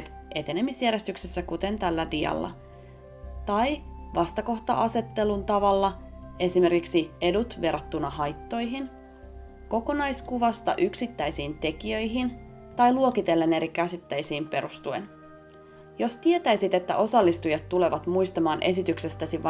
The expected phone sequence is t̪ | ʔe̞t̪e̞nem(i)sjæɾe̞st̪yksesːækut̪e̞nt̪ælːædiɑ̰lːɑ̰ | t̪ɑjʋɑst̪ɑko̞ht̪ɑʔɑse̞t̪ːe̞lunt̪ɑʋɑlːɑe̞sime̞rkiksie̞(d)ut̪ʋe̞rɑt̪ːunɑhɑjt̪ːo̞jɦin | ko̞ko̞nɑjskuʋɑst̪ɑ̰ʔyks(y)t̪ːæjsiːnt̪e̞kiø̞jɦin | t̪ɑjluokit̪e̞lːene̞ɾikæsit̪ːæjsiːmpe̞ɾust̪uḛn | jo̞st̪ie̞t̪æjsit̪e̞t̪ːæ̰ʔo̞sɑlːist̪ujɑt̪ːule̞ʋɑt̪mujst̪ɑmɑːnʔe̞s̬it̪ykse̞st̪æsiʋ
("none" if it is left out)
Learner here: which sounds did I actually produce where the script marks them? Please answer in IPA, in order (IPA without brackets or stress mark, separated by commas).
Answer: i, d, i